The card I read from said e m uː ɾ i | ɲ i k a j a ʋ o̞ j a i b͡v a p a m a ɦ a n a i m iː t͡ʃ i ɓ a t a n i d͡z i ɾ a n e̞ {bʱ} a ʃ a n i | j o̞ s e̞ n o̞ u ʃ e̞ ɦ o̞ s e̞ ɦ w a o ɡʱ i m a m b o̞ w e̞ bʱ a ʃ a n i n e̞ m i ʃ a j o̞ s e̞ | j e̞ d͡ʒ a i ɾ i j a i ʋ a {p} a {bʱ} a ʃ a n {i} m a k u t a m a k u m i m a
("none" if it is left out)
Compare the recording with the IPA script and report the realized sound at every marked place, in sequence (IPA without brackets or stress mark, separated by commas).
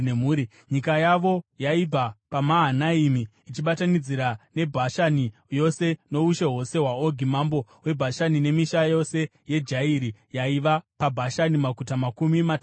bʱ, p, bʱ, i